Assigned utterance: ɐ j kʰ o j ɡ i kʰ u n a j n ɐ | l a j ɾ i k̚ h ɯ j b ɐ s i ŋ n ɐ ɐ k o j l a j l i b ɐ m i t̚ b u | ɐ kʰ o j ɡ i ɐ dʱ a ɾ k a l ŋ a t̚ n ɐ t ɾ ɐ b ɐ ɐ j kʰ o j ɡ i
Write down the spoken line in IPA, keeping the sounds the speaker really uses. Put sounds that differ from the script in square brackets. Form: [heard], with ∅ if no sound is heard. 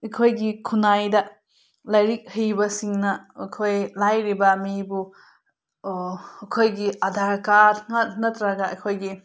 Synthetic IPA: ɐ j kʰ o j ɡ i kʰ u n a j [d] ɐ | l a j ɾ i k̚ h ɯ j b ɐ s i ŋ n ɐ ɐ [kʰ] o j l a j [ɾ] i b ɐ m i [∅] b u | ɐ kʰ o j ɡ i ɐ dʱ a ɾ k a [ɾ] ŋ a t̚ n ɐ t ɾ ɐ [ɡ] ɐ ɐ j kʰ o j ɡ i

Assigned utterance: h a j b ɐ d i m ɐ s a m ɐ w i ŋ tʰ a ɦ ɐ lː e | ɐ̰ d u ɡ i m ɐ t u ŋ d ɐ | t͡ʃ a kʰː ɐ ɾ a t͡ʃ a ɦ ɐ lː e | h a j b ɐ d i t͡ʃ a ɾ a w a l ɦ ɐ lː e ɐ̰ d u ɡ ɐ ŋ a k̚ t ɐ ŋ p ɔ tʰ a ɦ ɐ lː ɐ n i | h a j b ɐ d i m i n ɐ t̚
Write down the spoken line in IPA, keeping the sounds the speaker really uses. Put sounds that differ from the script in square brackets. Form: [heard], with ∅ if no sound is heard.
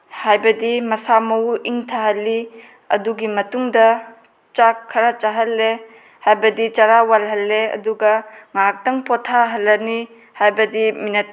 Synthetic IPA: h a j b ɐ d i m ɐ s a m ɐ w i ŋ tʰ a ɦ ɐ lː [i] | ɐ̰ d u ɡ i m ɐ t u ŋ d ɐ | t͡ʃ a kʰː ɐ ɾ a t͡ʃ a ɦ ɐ lː e | h a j b ɐ d i t͡ʃ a ɾ a w a l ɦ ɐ lː e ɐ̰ d u ɡ ɐ ŋ a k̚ t ɐ ŋ p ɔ tʰ a ɦ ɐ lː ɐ n i | h a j b ɐ d i m i n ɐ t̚

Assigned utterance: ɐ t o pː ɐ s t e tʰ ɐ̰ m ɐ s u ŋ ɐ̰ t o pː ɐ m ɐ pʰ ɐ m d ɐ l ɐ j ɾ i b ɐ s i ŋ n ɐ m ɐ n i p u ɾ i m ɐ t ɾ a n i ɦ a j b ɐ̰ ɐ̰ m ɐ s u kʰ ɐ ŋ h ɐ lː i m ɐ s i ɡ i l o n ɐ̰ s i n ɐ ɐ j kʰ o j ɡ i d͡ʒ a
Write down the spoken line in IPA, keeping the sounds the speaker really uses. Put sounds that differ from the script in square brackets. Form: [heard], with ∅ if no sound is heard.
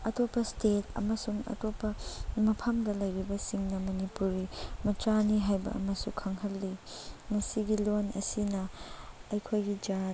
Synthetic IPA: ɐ t o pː ɐ s t e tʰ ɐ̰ m ɐ s u ŋ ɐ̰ t o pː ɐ m ɐ pʰ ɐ m d ɐ l ɐ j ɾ i b ɐ s i ŋ n ɐ m ɐ n i p u ɾ i m ɐ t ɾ a n i ɦ a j b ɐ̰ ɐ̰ m ɐ s u kʰ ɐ ŋ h ɐ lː i m ɐ s i ɡ i l o n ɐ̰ s i n ɐ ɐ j kʰ o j ɡ i d͡ʒ a

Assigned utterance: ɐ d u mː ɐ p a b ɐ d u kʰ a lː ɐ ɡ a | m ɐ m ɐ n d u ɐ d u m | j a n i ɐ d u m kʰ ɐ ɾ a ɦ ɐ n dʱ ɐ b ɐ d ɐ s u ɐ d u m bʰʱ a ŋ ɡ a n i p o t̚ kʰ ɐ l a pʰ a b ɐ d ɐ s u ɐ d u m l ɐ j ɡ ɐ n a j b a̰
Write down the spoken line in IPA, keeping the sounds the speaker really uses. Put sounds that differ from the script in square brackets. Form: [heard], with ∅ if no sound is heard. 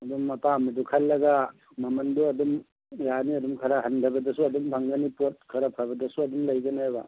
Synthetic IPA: ɐ d u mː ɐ p a [m] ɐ d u kʰ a lː ɐ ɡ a | m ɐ m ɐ n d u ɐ d u m | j a n i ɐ d u m kʰ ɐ ɾ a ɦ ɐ n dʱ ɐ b ɐ d ɐ s u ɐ d u m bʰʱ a ŋ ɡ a n i p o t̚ kʰ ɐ [ɾ] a pʰ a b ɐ d ɐ s u ɐ d u m l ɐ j ɡ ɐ n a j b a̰

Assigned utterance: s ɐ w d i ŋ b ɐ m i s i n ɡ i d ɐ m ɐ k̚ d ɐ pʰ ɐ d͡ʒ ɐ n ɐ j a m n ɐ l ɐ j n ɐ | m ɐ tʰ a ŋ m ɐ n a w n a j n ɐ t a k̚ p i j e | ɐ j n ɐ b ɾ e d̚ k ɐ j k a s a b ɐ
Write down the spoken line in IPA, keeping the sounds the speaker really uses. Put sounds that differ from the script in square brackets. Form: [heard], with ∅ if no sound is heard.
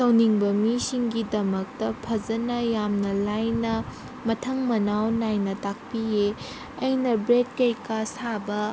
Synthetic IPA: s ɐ w [n] i ŋ b ɐ m i s i [ŋ] ɡ i d ɐ m ɐ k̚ [t] ɐ pʰ ɐ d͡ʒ ɐ n ɐ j a m n ɐ l [a] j n ɐ | m ɐ tʰ [ɐ] ŋ m ɐ n a w n a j n ɐ t a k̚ p i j e | ɐ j n ɐ b ɾ e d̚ k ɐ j k a s a b ɐ

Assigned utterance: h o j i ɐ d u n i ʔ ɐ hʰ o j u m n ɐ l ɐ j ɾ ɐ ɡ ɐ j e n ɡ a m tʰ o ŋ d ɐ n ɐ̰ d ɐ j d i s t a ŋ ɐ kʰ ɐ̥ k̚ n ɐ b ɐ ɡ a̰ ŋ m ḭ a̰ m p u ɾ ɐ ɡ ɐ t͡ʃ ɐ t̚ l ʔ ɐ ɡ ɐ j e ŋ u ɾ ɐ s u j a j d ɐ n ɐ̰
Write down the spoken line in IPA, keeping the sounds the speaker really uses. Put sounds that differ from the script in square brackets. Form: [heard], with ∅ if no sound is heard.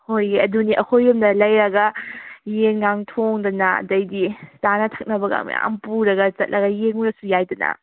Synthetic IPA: h o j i ɐ d u n i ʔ ɐ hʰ o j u m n ɐ l ɐ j ɾ ɐ ɡ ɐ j e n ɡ a [ŋ] tʰ o ŋ d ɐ n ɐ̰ d ɐ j d i s t a [n] ɐ [tʰ] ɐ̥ k̚ n ɐ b ɐ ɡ a̰ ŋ m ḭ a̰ m p u ɾ ɐ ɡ ɐ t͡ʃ ɐ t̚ l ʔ ɐ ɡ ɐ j e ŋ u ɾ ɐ s u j a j d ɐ n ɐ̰

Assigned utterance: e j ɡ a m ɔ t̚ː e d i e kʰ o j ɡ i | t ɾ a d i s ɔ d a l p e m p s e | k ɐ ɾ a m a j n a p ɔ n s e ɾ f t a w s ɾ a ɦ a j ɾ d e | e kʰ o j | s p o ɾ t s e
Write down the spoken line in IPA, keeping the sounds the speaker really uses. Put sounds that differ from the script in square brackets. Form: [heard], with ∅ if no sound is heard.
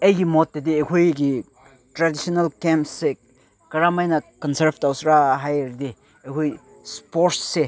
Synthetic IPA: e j ɡ [i] m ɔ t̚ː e d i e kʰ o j ɡ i | t ɾ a d i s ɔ [n] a l [k] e m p s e | k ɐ ɾ a m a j n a [k] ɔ n s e ɾ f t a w s ɾ a ɦ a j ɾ d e | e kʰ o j | s p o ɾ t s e

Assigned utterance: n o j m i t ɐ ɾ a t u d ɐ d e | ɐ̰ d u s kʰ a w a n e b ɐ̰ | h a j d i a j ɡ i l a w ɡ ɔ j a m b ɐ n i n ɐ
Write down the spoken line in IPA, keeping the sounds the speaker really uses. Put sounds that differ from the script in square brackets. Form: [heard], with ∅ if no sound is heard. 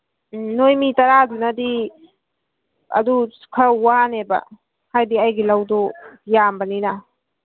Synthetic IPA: n o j m i t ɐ ɾ a [d] u [n] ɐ d [i] | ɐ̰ d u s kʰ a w a n e b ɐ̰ | h a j d i a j ɡ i l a w [d] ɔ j a m b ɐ n i n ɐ

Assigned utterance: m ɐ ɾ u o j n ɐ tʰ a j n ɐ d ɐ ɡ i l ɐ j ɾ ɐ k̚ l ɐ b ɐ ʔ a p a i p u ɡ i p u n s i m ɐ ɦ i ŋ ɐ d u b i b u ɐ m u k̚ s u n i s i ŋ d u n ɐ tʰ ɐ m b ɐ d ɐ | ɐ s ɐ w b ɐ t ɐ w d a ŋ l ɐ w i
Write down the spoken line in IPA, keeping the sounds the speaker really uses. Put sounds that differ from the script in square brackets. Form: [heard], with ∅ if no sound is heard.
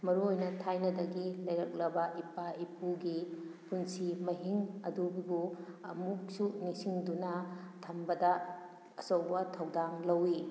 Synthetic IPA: m ɐ ɾ u o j n ɐ tʰ a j n ɐ d ɐ ɡ i l ɐ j ɾ ɐ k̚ l ɐ b ɐ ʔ [i] p a i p u ɡ i p u n s i m ɐ ɦ i ŋ ɐ d u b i b u ɐ m u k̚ s u n i s i ŋ d u n ɐ tʰ ɐ m b ɐ d ɐ | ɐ s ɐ w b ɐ [tʰ] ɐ w d a ŋ l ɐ w i

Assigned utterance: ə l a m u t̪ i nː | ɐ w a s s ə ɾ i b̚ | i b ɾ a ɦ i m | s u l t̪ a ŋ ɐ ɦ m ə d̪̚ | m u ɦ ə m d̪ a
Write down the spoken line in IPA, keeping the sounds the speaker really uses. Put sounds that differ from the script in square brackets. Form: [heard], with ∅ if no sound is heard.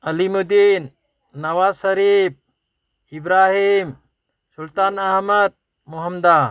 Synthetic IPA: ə l [i] m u [d̪] i nː | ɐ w a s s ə ɾ i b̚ | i b ɾ a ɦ i m | s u l t̪ a [n] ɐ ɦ m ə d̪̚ | m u ɦ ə m d̪ a

